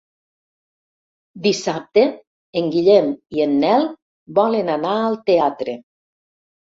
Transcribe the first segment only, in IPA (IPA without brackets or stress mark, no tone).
d̪